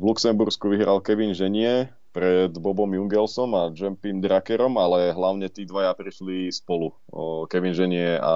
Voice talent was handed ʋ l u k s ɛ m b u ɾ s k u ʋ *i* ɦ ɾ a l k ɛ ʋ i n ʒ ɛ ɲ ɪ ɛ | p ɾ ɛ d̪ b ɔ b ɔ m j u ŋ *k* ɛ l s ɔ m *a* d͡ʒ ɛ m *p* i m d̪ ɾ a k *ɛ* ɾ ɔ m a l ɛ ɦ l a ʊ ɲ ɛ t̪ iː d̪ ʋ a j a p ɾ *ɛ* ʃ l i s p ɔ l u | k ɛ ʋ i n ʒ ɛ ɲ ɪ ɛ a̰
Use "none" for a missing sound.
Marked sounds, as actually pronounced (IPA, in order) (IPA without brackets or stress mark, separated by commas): i, ɡ, a, p, ɛ, i